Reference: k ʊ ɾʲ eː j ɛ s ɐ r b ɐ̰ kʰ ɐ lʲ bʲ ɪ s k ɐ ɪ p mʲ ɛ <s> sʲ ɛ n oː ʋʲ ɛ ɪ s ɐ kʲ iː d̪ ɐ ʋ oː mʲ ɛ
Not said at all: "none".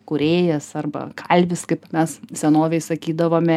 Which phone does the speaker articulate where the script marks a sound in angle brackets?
s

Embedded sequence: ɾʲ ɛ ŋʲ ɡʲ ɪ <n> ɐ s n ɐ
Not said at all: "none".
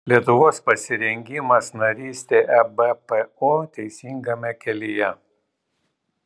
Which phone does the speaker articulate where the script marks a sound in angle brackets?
m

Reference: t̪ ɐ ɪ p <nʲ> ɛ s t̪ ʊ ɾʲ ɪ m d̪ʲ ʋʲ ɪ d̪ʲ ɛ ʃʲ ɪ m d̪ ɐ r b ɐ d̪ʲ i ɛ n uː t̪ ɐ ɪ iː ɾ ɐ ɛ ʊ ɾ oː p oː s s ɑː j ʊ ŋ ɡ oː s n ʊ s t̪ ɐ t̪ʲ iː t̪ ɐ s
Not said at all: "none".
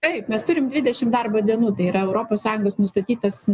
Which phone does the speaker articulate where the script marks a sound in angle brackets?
mʲ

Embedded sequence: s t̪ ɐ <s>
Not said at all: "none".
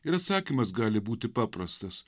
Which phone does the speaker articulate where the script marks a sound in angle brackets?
s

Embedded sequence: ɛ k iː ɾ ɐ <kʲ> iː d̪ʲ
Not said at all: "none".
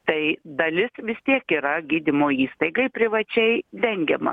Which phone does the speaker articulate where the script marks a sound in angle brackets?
ɡʲ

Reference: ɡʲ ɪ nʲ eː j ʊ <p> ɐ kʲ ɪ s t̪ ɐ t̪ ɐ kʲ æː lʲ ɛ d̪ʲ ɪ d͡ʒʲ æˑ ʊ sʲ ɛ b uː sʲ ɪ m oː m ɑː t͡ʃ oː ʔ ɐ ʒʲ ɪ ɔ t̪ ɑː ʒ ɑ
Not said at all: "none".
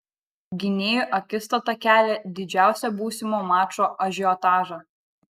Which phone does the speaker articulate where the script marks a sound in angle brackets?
ʔ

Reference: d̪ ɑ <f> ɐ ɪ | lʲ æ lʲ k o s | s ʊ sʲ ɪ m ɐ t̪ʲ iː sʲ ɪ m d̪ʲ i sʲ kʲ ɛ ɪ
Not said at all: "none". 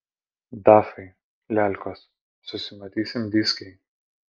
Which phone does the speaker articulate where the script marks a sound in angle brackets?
f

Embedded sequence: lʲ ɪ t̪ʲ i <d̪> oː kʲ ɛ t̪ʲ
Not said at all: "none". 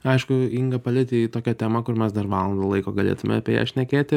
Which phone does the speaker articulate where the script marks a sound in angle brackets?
t̪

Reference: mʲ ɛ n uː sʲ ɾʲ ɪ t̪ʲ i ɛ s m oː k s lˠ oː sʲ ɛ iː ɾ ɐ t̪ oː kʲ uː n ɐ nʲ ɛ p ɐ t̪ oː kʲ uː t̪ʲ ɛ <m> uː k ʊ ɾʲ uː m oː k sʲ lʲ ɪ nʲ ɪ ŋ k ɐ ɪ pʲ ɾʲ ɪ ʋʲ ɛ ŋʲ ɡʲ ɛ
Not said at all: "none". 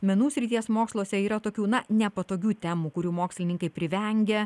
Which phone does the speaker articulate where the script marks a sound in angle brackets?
m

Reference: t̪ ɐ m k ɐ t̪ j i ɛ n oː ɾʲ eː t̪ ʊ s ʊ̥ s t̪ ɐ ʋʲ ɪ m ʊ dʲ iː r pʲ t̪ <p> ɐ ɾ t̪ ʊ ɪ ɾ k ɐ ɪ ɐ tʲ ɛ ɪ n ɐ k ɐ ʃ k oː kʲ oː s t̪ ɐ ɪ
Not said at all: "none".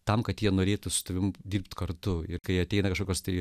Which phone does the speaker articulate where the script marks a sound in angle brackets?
k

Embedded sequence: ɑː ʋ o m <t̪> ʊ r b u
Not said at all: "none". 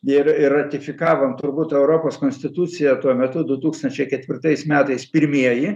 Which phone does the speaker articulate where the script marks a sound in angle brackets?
t̪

